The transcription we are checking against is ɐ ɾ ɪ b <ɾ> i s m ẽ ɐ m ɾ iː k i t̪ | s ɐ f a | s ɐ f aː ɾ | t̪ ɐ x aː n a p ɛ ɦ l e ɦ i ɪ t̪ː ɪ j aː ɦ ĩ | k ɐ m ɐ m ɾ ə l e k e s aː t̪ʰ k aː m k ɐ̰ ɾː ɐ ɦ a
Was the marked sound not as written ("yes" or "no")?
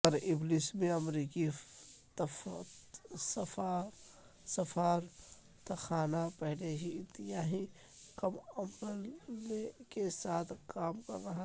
yes